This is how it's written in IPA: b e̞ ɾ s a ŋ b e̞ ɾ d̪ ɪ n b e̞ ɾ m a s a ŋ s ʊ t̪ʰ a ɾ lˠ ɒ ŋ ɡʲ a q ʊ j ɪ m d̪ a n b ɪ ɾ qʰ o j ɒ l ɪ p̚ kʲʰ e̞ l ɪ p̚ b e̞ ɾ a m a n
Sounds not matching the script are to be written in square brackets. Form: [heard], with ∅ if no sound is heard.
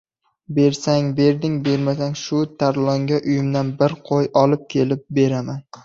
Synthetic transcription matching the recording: b e̞ ɾ s a ŋ b e̞ ɾ d̪ ɪ [ŋ] b e̞ ɾ m a s a ŋ [ʃ] ʊ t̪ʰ a ɾ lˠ ɒ ŋ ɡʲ a [ʔ] ʊ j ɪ m d̪ a n b ɪ ɾ qʰ o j ɒ l ɪ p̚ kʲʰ e̞ l ɪ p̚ b e̞ ɾ a m a n